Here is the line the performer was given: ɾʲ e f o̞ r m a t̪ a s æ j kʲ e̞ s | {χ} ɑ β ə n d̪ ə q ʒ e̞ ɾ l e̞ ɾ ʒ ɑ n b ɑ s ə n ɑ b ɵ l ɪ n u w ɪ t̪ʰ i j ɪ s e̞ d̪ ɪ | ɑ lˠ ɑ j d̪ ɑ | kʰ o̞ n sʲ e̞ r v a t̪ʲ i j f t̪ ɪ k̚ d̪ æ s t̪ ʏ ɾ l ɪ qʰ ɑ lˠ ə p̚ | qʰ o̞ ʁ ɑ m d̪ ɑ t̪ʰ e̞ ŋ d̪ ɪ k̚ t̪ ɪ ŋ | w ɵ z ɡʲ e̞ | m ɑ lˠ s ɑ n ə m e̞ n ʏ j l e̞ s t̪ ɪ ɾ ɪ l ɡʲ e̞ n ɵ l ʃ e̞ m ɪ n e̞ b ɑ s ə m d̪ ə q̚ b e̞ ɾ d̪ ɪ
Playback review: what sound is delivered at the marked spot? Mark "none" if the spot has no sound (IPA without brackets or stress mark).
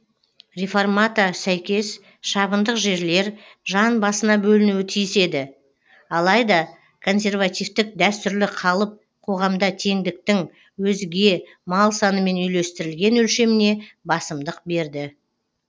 ʃ